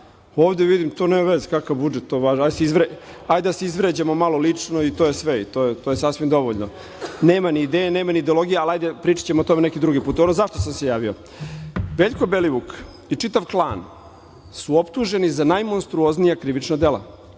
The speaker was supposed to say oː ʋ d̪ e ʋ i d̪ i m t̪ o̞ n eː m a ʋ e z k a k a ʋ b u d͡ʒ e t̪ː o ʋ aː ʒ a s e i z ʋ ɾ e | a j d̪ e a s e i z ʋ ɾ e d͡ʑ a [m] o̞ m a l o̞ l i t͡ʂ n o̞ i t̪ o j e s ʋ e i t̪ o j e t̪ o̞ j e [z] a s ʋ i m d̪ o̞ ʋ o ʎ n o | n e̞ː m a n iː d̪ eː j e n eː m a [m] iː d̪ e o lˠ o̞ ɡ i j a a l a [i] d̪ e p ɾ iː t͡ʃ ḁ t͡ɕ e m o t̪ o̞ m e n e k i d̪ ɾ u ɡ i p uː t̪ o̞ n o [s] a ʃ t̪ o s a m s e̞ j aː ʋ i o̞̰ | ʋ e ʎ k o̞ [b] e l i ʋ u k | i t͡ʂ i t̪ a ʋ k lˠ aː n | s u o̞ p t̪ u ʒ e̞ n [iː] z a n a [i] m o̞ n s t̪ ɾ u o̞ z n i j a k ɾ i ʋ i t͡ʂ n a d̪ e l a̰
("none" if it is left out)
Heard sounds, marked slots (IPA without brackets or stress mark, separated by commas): m, s, n, j, z, b, i, j